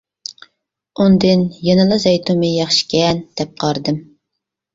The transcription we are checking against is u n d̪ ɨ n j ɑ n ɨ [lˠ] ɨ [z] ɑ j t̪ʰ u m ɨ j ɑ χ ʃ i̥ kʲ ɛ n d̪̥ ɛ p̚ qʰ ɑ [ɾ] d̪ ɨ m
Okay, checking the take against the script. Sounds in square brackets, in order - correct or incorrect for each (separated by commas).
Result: correct, correct, correct